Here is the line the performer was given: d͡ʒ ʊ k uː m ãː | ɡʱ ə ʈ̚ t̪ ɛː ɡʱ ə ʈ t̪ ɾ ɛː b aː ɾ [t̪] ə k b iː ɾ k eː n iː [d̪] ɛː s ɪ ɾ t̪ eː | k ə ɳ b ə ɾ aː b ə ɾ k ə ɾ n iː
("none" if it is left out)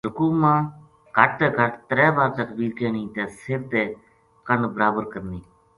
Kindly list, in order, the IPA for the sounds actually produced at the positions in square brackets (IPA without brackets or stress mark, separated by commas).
t̪, t̪